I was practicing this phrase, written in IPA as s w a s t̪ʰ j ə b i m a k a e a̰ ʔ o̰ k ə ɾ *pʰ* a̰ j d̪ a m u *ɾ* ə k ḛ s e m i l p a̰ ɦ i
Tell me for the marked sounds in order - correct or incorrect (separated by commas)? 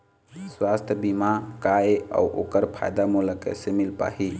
correct, incorrect